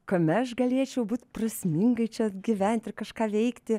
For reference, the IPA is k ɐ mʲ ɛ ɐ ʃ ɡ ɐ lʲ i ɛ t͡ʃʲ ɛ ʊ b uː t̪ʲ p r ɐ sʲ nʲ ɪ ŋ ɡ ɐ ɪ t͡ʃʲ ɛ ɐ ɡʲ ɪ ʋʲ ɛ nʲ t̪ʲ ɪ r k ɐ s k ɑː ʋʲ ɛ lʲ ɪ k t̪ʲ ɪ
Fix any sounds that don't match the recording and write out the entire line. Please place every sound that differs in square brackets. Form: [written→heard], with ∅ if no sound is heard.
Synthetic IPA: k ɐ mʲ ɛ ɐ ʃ ɡ ɐ lʲ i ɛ t͡ʃʲ ɛ ʊ b uː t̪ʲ p r ɐ sʲ [nʲ→mʲ] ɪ ŋ ɡ ɐ ɪ t͡ʃʲ ɛ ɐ ɡʲ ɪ ʋʲ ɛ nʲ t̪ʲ ɪ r k ɐ [s→ʃ] k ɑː ʋʲ ɛ [lʲ→∅] ɪ k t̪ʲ ɪ